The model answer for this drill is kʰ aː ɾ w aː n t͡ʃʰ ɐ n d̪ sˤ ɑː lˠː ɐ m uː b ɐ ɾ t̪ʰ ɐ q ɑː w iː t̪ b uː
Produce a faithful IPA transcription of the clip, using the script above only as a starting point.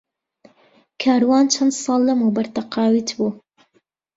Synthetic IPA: kʰ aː ɾ w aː n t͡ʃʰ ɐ n d̪ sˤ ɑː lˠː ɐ m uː b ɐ ɾ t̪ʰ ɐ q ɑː w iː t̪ b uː

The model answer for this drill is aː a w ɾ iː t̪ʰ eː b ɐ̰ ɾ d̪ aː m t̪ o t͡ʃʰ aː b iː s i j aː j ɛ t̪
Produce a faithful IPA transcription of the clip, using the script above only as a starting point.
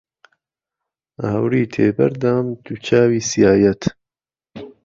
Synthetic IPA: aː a w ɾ iː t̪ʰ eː b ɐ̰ ɾ d̪ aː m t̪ u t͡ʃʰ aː w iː s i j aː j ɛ t̪

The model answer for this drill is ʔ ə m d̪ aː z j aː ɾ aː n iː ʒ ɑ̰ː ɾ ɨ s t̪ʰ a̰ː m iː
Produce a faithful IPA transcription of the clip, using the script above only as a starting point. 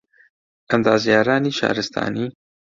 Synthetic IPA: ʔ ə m d̪ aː z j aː ɾ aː n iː ʃ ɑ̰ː ɾ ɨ s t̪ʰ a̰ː n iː

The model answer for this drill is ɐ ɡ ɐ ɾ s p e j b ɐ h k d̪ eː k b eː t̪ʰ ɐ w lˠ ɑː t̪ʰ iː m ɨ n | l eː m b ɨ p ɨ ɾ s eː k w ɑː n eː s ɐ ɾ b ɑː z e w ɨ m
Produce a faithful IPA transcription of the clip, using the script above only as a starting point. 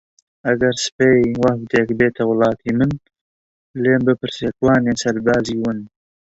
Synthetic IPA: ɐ ɡ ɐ ɾ s p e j w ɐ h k d̪ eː k b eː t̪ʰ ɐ w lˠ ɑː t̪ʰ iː m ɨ n | l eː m b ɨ p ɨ ɾ s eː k w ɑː n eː s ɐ ɾ b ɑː z i w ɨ n

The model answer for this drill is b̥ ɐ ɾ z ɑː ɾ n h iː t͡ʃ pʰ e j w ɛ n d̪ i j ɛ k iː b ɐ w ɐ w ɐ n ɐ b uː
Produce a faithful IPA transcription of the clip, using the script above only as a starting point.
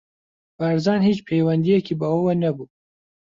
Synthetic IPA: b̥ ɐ ɾ z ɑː n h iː t͡ʃ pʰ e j w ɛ n d̪ i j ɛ k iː b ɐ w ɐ w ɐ n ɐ b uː

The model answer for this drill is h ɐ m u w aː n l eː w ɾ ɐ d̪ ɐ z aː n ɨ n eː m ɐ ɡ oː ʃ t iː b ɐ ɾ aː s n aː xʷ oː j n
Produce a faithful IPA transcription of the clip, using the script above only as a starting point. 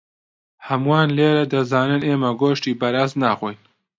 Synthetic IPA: h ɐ m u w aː n l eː ɾ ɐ d̪ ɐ z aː n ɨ n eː m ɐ ɡ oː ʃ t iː b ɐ ɾ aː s n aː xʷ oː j n

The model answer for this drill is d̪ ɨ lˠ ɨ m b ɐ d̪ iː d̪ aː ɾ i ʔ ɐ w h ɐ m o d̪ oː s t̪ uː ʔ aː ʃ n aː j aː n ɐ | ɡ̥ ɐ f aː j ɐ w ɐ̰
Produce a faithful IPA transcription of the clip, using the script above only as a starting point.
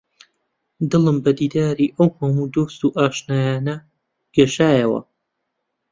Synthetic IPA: d̪ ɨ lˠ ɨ m b ɐ d̪ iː d̪ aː ɾ i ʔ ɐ w h ɐ m u d̪ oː s t̪ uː ʔ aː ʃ n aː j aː n ɐ | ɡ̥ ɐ ʃ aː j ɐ w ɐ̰

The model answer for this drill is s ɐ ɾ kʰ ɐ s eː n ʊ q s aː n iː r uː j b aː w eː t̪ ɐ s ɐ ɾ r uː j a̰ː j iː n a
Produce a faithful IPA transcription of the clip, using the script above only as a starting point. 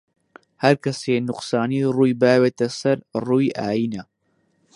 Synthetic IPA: h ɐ ɾ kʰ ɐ s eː n ʊ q s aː n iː r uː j b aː w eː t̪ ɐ s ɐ ɾ r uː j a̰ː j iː n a

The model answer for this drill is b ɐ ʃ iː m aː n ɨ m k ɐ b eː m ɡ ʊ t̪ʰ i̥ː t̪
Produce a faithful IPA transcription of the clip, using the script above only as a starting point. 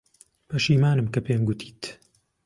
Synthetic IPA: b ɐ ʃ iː m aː n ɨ m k ɐ p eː m ɡ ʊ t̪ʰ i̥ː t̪

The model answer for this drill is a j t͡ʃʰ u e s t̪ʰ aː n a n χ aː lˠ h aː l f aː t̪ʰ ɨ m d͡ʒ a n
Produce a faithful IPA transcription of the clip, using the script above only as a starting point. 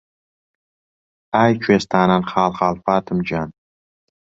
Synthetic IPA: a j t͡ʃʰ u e s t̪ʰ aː n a n χ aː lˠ χ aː l f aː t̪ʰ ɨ m d͡ʒ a n

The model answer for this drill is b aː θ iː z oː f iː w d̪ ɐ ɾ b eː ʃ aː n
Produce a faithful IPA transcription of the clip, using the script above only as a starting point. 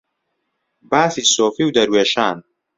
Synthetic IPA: b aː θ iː s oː f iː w d̪ ɐ ɾ w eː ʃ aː n

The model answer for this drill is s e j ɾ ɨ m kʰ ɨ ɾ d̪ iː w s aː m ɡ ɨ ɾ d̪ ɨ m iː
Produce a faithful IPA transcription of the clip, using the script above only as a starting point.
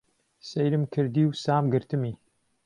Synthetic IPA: s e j ɾ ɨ m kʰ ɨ ɾ d̪ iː w s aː m ɡ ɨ ɾ t̪ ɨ m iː

